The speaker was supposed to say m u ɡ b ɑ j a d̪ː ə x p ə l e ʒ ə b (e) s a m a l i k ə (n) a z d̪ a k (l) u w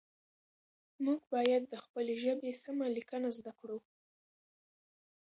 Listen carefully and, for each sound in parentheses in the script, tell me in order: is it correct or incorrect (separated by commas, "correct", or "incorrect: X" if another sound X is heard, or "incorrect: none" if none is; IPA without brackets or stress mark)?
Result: correct, correct, incorrect: ɽ